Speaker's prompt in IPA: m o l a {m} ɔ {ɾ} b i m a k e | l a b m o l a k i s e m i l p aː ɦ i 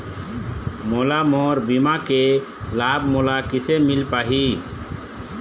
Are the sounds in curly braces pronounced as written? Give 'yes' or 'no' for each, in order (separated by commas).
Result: yes, yes